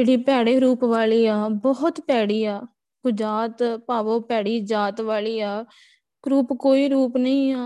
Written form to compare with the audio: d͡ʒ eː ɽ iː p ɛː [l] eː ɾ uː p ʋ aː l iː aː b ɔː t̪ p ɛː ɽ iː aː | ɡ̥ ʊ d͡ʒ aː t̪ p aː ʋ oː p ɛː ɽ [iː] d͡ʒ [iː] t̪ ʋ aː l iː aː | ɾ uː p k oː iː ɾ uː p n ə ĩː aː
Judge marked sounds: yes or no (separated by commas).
no, yes, no